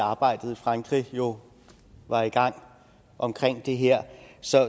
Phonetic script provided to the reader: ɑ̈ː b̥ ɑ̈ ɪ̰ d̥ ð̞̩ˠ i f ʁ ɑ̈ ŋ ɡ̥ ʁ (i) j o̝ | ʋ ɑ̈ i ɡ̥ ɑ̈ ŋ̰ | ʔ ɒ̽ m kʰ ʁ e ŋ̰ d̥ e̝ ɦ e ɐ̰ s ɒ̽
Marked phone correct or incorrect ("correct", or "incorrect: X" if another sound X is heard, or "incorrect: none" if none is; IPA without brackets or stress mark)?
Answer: correct